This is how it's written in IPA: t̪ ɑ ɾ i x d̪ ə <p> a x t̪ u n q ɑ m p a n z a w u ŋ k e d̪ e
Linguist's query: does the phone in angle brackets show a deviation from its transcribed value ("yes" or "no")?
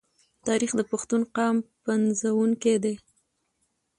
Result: no